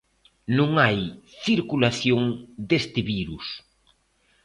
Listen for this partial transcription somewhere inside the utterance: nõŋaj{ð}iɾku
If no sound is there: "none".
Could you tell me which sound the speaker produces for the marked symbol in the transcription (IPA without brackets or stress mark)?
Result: θ